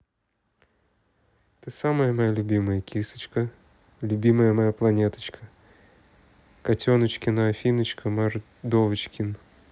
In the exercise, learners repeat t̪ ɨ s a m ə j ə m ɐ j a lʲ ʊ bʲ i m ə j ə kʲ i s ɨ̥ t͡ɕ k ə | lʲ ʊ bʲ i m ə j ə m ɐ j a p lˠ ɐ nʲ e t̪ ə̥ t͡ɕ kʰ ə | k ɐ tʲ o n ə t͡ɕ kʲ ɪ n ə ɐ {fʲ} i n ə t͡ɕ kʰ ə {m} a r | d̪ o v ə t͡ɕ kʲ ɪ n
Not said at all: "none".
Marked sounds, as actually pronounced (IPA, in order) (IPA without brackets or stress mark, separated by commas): fʲ, m